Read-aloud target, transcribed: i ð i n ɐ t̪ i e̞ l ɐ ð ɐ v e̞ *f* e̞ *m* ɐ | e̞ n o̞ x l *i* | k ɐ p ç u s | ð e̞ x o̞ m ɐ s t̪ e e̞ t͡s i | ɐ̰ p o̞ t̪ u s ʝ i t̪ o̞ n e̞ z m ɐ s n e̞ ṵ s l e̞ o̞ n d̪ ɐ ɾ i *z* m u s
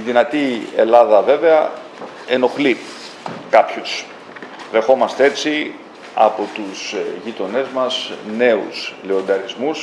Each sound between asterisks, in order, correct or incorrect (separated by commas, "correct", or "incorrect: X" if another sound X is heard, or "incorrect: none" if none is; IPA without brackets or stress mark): incorrect: v, incorrect: none, correct, correct